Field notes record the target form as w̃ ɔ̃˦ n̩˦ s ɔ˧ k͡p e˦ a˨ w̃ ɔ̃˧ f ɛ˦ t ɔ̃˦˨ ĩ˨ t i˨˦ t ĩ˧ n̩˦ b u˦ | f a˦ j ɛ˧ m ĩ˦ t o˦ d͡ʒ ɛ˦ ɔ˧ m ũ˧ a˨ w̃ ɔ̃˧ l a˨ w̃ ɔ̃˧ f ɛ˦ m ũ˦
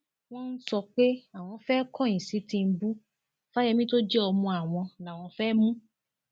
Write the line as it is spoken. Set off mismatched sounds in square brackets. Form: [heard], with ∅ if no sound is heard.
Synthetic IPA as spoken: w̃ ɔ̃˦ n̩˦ s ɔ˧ k͡p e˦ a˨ w̃ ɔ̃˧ f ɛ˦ [k] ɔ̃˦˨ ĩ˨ [s] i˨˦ t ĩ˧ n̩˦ b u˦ | f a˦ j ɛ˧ m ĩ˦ t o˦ d͡ʒ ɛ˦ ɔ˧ m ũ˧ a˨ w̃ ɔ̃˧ l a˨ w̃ ɔ̃˧ f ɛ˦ m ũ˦

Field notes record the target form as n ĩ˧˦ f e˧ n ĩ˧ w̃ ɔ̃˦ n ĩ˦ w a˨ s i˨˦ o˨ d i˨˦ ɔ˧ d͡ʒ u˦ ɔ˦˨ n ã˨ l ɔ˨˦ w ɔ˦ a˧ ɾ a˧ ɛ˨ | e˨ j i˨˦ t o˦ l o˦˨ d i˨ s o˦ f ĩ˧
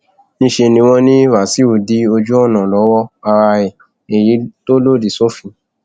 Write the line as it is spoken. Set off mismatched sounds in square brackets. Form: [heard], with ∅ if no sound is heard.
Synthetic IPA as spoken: n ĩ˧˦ [ʃ] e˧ n ĩ˧ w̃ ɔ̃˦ n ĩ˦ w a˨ s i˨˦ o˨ d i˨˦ [o˧] d͡ʒ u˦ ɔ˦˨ n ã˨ l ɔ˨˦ w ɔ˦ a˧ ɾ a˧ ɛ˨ | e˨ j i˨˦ t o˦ l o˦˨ d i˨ s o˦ f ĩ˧

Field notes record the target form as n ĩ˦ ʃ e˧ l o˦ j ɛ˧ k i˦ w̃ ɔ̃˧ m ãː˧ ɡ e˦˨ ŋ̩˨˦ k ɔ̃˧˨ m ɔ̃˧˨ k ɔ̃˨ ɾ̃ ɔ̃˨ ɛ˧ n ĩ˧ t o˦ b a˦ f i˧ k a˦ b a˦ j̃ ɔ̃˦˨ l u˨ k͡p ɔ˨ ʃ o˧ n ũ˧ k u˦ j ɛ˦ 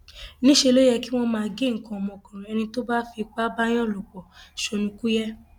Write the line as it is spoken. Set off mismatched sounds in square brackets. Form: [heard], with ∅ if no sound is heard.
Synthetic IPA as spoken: n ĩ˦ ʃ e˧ l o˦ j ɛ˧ k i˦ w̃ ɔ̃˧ m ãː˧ ɡ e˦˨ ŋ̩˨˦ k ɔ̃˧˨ m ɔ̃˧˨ k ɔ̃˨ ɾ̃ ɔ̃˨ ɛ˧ n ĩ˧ t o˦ b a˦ f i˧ [k͡p] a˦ b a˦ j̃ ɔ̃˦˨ l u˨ k͡p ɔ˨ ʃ o˧ n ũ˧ k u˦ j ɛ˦

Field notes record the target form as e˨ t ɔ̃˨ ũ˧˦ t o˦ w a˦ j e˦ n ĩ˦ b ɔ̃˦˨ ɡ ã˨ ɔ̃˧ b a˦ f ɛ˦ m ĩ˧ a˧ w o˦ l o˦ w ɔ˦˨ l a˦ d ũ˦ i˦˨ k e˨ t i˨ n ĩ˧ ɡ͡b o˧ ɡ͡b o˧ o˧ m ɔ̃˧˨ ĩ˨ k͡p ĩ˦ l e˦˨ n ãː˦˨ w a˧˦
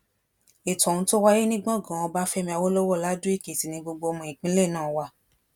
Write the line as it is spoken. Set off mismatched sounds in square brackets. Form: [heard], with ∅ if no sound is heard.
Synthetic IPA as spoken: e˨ t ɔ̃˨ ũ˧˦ t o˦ w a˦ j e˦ n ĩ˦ [ɡ͡b] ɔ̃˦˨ ɡ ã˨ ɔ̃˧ b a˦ f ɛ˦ m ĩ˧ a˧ w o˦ l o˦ w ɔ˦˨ l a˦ d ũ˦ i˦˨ k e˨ t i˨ n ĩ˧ ɡ͡b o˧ ɡ͡b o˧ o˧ m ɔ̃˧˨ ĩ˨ k͡p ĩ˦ l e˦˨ n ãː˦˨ w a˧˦

